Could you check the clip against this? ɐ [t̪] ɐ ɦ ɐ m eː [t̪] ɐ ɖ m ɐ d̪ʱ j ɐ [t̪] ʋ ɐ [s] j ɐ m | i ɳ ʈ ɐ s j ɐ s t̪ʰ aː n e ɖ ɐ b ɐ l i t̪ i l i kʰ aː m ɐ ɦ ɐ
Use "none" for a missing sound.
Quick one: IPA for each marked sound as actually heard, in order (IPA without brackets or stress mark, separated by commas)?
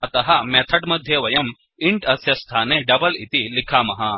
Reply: t̪, t̪ʰ, none, none